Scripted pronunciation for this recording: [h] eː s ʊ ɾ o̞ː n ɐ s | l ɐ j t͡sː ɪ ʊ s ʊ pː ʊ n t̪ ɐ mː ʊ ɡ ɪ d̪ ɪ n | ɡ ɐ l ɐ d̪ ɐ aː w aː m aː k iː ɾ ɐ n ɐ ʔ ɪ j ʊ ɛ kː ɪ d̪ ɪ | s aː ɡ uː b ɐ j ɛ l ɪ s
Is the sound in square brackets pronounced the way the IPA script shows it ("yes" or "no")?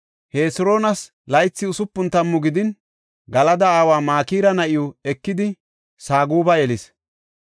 yes